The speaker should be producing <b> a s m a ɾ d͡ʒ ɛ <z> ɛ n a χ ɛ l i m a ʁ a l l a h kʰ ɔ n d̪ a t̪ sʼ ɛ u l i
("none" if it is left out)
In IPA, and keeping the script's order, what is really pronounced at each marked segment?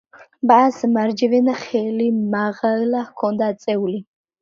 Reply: b, v

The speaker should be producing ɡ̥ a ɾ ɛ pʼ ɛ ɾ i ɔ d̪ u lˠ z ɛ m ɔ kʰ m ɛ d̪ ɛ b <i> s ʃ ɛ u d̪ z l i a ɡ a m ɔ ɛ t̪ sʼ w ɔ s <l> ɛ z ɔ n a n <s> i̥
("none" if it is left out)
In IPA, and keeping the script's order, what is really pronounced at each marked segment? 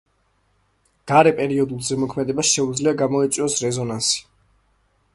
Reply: a, ɾ, s

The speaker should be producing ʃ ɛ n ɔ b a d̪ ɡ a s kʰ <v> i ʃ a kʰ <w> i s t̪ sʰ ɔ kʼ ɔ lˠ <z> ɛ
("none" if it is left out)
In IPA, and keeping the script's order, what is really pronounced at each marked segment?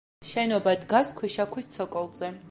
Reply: w, w, z

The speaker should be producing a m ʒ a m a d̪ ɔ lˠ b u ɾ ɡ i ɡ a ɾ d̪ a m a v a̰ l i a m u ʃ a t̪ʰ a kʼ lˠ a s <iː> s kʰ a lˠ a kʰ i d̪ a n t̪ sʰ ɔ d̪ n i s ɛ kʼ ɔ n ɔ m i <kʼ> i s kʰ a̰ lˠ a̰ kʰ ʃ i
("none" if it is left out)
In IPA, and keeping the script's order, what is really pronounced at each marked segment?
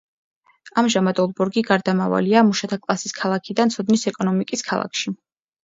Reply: i, kʼ

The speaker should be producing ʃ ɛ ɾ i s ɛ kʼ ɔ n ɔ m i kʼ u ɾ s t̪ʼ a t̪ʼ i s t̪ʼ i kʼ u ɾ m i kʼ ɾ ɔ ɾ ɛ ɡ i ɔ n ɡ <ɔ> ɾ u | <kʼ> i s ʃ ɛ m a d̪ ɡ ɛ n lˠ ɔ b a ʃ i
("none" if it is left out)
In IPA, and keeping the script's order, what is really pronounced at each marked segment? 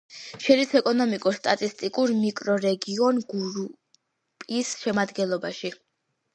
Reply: u, pʼ

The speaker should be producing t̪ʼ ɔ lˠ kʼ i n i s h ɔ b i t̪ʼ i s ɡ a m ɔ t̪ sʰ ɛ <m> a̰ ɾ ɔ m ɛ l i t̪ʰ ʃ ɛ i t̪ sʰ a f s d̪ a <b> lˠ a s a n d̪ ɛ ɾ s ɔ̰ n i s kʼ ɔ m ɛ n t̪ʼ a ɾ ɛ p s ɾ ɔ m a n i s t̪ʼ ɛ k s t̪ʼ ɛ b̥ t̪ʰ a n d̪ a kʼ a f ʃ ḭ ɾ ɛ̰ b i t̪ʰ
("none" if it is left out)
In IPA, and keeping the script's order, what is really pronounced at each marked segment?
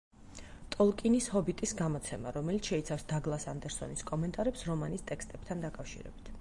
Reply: m, ɡ

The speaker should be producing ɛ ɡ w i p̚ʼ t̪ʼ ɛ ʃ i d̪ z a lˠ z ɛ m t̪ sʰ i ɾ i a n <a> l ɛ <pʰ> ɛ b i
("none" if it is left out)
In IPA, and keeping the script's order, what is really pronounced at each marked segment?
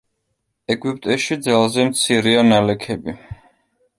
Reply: a, kʰ

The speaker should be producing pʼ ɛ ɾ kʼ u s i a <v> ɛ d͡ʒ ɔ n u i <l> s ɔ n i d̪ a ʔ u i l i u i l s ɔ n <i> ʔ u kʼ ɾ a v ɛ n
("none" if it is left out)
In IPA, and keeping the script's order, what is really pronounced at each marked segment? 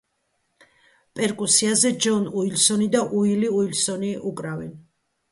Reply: z, l, i

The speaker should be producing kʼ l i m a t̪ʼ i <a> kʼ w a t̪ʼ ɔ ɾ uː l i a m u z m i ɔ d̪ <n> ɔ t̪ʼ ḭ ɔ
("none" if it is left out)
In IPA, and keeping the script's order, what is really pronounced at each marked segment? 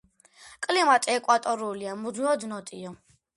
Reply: ɛ, n

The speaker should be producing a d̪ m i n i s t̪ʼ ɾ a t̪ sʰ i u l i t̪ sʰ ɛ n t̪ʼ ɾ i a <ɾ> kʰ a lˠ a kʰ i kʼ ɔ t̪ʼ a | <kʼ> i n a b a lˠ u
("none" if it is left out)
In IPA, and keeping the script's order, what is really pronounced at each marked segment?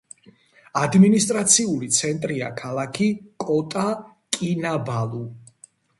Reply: none, kʼ

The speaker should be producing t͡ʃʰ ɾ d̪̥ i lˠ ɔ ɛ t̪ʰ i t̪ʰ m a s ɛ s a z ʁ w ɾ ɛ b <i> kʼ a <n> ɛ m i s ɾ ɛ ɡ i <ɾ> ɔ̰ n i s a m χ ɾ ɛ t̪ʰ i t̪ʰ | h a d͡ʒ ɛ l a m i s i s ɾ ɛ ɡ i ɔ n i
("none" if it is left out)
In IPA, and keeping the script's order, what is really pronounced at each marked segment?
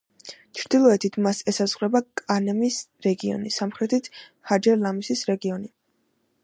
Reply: a, n, none

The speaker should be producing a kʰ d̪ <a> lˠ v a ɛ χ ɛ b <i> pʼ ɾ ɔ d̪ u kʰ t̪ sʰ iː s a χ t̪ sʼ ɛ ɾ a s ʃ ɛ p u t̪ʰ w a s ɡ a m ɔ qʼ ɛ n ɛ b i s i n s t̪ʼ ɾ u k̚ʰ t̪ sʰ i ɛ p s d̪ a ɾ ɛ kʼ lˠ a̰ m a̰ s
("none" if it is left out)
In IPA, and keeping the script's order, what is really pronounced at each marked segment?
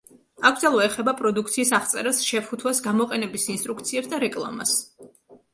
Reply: a, a

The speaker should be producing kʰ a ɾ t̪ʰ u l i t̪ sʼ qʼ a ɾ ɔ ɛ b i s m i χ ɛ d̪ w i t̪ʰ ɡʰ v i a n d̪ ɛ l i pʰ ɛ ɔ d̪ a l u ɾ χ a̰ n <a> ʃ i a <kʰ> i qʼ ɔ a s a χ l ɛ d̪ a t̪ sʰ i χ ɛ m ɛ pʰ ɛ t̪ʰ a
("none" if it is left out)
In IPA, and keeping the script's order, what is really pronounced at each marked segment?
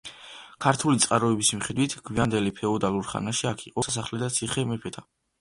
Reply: a, kʰ

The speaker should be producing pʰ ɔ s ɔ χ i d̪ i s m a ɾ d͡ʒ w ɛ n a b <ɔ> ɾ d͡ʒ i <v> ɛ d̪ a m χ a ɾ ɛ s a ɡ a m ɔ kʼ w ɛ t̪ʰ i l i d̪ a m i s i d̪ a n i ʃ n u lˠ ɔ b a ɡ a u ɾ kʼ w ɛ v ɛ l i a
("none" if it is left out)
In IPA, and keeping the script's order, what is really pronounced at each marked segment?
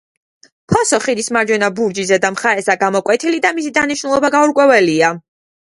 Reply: u, z

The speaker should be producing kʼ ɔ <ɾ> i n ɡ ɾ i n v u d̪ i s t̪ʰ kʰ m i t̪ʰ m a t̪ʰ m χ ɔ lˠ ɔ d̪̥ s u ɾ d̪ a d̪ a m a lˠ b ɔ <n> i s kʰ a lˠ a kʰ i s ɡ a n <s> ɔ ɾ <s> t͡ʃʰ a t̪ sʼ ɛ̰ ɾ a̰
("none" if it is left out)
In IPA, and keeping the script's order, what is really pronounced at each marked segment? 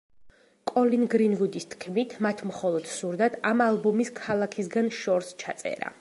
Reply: l, m, ʃ, s

